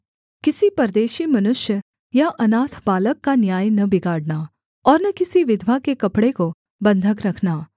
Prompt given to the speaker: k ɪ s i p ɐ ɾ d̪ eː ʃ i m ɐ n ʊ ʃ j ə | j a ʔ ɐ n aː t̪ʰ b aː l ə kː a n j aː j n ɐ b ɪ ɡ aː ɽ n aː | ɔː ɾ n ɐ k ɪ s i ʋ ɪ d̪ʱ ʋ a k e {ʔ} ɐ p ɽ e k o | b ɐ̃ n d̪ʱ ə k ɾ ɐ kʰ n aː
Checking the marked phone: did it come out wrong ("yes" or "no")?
yes